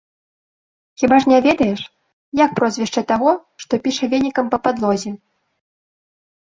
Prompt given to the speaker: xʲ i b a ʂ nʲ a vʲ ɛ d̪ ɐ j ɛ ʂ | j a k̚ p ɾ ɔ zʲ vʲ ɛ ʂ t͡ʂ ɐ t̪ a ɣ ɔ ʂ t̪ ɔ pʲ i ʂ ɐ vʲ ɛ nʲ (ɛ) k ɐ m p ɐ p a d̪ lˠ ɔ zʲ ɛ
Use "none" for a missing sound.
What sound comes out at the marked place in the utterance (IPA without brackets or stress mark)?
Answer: i